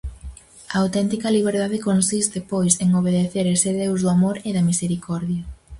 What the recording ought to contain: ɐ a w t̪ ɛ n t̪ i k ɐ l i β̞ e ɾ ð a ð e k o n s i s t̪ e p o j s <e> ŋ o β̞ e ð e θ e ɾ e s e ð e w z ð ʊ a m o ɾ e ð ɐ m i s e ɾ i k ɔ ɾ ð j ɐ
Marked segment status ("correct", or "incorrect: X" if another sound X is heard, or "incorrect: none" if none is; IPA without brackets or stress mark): correct